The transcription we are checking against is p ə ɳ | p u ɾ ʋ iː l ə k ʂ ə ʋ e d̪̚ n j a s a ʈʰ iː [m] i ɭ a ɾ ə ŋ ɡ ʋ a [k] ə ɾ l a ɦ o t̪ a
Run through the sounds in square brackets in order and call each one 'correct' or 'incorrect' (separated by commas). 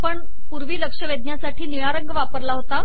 incorrect, incorrect